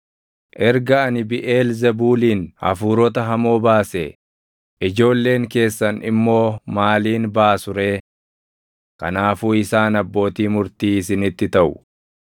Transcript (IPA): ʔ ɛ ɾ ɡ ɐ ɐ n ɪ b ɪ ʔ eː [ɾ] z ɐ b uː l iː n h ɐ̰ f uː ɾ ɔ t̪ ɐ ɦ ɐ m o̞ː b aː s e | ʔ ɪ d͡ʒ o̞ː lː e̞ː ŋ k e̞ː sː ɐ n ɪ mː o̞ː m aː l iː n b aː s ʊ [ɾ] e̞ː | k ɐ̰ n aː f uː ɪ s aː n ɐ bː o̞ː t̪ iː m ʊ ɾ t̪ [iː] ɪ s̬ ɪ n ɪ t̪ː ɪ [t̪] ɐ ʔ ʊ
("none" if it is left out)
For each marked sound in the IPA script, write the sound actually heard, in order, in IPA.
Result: l, ɾ, iː, t̪

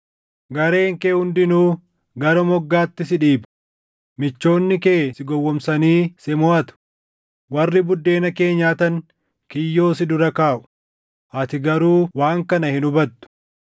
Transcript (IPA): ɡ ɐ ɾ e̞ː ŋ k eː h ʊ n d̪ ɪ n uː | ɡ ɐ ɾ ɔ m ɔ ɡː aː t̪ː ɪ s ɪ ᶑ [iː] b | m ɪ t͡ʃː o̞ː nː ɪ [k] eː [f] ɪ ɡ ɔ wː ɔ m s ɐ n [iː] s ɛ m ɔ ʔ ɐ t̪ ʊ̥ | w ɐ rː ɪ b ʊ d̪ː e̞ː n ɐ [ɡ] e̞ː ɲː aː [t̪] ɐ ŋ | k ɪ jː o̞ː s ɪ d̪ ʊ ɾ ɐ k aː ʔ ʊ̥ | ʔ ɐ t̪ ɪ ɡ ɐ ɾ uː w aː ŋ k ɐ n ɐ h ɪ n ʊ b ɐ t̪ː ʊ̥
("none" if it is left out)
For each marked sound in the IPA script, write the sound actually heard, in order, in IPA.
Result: iː, k, s, iː, k, t̪

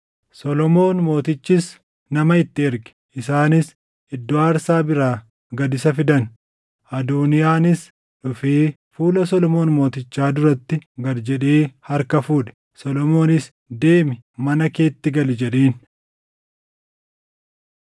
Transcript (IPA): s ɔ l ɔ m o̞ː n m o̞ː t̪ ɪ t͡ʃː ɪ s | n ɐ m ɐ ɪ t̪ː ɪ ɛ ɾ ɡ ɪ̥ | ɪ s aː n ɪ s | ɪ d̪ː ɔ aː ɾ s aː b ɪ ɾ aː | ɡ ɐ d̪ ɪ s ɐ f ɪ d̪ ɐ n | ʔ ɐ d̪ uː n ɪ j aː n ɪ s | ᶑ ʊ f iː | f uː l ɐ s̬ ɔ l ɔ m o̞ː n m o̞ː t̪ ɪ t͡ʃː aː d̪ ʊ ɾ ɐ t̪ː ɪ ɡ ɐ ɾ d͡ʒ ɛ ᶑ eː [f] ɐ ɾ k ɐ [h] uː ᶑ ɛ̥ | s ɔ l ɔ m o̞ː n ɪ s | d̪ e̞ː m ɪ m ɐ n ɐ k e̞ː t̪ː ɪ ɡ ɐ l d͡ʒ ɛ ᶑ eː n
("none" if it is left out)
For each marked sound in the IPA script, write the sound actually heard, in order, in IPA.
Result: h, f

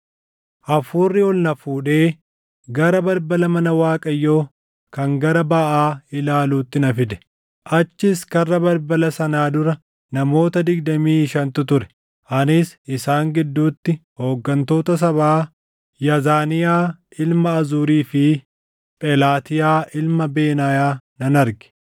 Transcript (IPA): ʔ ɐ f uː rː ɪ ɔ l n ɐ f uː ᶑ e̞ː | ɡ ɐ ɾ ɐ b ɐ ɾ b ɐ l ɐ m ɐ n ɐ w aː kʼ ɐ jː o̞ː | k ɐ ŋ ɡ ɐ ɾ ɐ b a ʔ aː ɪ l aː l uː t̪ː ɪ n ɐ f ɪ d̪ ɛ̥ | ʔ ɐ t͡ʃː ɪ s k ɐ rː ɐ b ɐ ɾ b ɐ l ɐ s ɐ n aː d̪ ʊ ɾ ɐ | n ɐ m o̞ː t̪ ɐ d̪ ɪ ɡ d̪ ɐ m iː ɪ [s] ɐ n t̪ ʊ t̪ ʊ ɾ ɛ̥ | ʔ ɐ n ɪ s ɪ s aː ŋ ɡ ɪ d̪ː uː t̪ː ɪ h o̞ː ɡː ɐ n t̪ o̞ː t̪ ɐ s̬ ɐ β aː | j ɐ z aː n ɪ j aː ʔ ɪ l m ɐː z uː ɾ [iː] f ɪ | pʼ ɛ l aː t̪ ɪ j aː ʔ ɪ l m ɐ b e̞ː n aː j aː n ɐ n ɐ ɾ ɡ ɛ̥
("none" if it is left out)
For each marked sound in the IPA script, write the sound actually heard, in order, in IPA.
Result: ʃ, iː

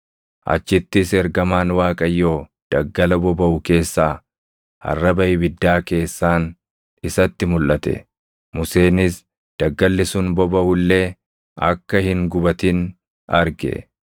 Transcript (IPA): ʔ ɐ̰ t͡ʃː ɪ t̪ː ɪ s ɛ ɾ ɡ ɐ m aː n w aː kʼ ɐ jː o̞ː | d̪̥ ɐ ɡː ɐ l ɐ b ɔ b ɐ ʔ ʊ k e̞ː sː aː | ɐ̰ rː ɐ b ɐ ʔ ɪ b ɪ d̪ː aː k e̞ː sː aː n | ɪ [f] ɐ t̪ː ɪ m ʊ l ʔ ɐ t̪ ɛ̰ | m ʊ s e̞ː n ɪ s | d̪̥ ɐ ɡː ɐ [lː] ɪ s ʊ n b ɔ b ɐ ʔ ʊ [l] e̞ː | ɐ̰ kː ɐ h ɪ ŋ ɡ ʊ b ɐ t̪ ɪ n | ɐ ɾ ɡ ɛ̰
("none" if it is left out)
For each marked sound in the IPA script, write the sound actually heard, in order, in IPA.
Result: s, lː, lː

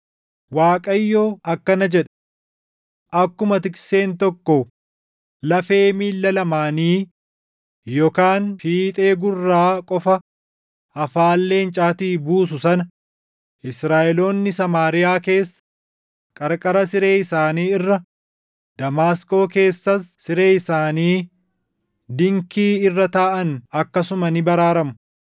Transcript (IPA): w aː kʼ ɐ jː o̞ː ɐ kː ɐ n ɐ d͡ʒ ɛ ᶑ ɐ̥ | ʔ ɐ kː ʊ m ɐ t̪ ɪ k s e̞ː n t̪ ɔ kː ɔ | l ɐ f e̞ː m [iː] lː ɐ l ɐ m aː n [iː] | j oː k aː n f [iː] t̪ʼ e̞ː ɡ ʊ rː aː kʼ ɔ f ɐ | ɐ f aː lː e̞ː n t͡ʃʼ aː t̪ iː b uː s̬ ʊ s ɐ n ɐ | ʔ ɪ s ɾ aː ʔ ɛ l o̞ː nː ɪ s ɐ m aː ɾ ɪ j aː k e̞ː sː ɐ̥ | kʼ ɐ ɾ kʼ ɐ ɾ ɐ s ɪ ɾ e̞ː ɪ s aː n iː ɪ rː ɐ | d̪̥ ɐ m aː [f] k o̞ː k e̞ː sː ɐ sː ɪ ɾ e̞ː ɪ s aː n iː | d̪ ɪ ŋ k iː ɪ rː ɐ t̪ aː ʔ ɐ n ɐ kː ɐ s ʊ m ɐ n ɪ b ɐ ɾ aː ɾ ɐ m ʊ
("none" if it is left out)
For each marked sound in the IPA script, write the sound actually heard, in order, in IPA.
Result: iː, iː, iː, s

